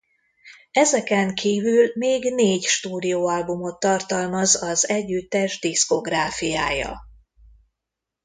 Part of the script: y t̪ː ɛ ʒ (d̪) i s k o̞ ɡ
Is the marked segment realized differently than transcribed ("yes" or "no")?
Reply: no